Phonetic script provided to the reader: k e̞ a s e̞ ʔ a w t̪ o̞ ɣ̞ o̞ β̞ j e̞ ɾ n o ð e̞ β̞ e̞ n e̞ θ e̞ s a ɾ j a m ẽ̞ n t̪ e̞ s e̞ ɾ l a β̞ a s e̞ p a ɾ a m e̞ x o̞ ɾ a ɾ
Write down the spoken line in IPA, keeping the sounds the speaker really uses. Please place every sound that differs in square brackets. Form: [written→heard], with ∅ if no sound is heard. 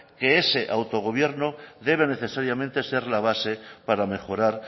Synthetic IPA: k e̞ [a→e] s e̞ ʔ a w t̪ o̞ ɣ̞ o̞ β̞ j e̞ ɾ n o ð e̞ β̞ e̞ n e̞ θ e̞ s a ɾ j a m ẽ̞ n t̪ e̞ s e̞ ɾ l a β̞ a s e̞ p a ɾ a m e̞ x o̞ ɾ a ɾ